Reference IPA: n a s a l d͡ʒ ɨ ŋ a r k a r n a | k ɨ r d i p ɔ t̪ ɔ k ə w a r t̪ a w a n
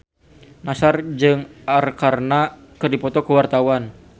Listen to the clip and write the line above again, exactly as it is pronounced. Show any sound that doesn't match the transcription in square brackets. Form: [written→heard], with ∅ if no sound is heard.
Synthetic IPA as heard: n a s a [l→r] d͡ʒ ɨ ŋ a r k a r n a | k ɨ r d i p ɔ t̪ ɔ k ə w a r t̪ a w a n